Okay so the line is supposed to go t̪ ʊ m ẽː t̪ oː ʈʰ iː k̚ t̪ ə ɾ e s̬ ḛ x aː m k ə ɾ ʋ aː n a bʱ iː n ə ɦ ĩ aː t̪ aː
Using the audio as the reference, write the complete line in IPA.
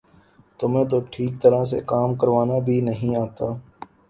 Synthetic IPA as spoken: t̪ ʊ m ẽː t̪ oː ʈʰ iː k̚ t̪ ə ɾ a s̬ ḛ k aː m k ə ɾ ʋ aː n a bʱ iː n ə ɦ ĩ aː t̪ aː